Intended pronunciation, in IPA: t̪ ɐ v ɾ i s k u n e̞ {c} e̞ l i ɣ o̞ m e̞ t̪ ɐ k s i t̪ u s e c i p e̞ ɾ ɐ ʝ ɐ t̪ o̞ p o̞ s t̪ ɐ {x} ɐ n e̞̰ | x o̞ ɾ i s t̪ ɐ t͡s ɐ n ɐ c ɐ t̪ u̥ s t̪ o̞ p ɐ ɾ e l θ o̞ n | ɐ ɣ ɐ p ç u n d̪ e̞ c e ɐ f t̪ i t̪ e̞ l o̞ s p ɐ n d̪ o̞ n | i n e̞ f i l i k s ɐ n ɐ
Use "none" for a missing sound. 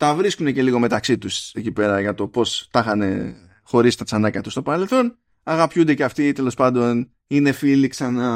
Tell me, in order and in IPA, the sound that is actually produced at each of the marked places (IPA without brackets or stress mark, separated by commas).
c, x